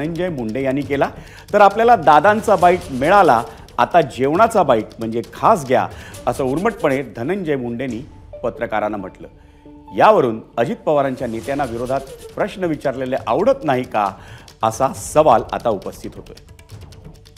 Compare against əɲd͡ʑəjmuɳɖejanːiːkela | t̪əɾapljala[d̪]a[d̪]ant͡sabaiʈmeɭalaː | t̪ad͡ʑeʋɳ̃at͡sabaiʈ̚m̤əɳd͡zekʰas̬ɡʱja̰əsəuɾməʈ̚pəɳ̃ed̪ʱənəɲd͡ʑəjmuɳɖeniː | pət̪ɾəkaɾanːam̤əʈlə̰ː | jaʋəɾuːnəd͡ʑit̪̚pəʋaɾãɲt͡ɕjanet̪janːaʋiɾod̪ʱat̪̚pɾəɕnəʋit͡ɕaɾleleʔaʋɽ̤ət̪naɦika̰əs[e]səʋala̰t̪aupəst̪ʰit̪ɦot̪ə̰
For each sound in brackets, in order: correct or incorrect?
correct, correct, incorrect

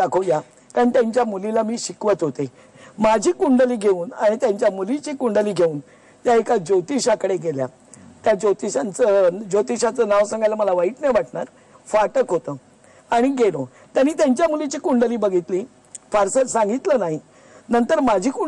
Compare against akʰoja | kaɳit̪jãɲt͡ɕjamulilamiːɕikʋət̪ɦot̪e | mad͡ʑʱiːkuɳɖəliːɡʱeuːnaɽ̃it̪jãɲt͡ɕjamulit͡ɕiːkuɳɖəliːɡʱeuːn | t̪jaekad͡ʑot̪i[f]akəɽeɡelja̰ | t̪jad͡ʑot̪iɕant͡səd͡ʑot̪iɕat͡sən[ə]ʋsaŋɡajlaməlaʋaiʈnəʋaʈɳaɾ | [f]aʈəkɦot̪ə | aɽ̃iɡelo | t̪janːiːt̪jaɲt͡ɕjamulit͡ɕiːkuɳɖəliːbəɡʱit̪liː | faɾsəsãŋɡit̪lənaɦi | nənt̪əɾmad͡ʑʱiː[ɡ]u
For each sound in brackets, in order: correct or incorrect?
incorrect, incorrect, correct, incorrect

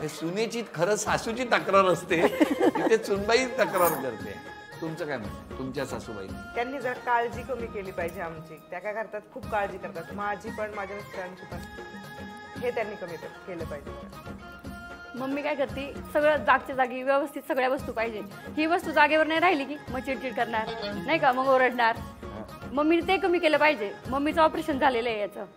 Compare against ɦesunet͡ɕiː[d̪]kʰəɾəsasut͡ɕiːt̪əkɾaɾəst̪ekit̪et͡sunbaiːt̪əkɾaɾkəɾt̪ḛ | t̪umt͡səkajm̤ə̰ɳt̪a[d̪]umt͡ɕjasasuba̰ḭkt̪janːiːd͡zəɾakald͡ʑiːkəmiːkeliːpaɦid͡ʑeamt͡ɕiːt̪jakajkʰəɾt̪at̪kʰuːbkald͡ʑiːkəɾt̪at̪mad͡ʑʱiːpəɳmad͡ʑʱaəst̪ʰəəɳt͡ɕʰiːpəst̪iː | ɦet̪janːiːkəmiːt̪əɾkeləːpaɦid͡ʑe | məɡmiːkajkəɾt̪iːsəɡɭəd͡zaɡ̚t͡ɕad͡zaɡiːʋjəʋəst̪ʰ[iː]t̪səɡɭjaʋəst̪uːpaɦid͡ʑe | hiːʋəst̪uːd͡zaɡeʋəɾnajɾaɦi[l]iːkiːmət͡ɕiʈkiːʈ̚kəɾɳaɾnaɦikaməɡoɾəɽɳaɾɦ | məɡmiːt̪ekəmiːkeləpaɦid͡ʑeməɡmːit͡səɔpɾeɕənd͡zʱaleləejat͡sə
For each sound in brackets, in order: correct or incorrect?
incorrect, incorrect, incorrect, correct

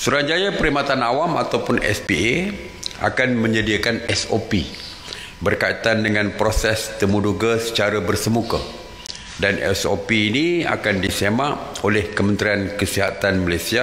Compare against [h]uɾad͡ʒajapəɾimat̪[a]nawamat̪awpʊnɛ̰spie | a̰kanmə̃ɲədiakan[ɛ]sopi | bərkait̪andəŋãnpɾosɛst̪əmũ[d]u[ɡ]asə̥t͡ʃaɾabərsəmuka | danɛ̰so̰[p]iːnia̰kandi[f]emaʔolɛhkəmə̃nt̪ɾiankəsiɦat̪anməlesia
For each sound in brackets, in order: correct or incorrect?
incorrect, correct, correct, correct, correct, correct, incorrect

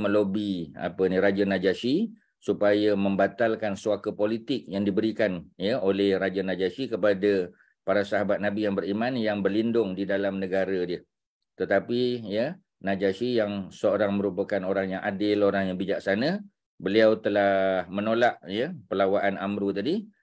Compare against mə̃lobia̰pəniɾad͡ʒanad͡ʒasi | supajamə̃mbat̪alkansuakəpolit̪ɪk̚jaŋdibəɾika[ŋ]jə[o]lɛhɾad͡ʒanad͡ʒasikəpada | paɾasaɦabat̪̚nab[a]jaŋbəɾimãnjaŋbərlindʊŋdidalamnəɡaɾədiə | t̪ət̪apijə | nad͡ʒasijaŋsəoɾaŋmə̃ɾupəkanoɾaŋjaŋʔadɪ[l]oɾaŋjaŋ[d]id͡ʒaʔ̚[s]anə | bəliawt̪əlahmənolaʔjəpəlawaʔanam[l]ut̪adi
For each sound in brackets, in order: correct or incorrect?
incorrect, correct, incorrect, correct, incorrect, correct, incorrect

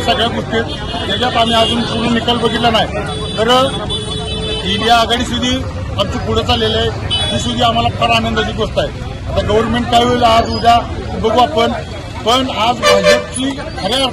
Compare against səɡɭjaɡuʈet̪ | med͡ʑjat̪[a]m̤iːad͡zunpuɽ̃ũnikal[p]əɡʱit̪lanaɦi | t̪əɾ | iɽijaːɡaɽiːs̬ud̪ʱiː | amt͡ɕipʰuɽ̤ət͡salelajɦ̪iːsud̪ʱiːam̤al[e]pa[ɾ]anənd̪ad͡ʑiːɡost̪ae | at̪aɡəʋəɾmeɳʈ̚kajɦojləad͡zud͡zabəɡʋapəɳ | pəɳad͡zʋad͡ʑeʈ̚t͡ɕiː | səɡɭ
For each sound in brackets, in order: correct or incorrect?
correct, incorrect, incorrect, correct

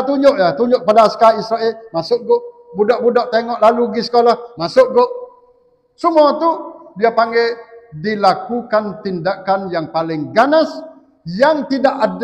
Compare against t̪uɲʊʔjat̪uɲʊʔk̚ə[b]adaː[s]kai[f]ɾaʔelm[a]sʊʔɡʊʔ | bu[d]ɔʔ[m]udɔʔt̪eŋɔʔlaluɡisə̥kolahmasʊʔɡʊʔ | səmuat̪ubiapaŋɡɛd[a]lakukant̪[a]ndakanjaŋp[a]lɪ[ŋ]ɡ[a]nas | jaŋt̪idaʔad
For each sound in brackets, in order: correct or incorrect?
incorrect, correct, incorrect, correct, correct, incorrect, incorrect, incorrect, correct, correct, correct

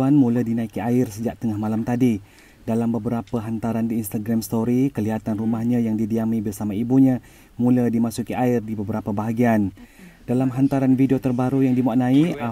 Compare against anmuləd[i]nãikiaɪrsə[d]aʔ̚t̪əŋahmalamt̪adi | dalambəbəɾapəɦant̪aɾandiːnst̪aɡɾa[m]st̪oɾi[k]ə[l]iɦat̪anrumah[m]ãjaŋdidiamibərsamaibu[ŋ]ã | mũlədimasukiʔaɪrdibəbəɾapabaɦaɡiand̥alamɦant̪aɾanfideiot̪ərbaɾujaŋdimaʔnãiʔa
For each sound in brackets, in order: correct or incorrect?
correct, incorrect, correct, correct, correct, incorrect, incorrect

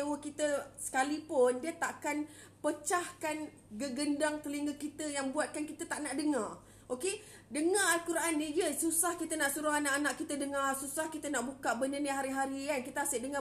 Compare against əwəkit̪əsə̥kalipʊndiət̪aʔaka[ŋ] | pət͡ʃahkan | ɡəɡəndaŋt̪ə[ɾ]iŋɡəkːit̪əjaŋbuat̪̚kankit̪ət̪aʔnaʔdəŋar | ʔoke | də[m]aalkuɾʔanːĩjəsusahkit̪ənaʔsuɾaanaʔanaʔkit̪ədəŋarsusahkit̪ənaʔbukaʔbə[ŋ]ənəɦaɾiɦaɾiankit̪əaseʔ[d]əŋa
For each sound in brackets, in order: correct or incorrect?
incorrect, incorrect, incorrect, incorrect, correct

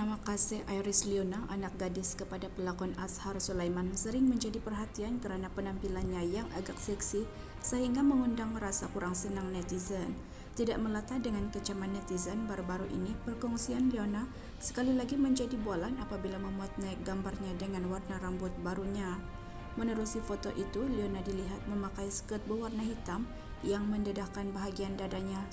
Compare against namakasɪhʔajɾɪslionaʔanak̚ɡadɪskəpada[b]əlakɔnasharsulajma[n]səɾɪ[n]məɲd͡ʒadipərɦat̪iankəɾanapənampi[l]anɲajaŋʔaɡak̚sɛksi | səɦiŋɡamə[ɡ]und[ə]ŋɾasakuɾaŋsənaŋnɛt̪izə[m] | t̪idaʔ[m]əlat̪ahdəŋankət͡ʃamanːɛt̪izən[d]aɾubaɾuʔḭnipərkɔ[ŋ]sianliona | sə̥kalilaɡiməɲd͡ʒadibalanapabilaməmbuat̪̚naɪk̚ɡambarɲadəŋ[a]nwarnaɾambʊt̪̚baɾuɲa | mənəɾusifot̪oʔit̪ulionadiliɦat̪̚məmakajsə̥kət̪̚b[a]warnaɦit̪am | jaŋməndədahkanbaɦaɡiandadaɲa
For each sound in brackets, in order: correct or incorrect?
incorrect, correct, incorrect, correct, incorrect, incorrect, incorrect, correct, incorrect, correct, correct, incorrect

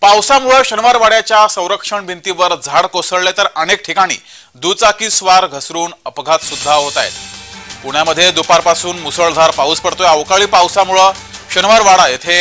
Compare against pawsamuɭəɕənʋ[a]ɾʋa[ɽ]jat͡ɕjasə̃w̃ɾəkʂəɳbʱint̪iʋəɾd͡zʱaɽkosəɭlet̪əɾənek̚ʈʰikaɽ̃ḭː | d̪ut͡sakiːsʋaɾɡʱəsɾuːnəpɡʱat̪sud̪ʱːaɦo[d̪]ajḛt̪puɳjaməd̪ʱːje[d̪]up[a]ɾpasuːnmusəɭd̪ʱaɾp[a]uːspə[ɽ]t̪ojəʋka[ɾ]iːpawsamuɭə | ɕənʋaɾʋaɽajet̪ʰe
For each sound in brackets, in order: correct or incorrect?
correct, correct, incorrect, correct, correct, correct, correct, incorrect

